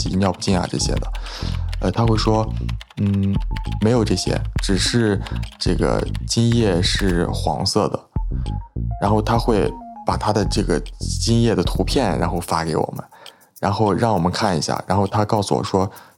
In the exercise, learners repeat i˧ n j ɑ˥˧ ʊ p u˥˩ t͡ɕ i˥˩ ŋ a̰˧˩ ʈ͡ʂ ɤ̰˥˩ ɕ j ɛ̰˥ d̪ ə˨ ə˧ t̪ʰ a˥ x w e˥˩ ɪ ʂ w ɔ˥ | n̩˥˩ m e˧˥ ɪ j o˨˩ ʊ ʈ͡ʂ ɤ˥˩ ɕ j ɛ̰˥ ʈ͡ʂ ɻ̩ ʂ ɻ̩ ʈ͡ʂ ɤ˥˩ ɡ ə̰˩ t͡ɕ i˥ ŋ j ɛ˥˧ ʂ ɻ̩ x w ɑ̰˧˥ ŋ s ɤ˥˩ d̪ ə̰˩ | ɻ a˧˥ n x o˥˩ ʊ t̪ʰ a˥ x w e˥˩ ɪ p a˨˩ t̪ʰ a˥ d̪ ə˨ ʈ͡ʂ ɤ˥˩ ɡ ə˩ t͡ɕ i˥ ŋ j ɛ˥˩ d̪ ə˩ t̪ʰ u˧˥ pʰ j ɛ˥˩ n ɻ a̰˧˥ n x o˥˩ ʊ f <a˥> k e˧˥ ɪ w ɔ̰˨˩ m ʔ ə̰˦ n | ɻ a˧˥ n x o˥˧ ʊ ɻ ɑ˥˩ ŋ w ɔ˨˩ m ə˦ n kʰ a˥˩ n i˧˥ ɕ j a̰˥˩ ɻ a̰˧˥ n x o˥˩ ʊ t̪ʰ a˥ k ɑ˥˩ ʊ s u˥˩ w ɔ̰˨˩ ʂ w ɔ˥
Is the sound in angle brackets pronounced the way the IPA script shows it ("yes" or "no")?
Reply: yes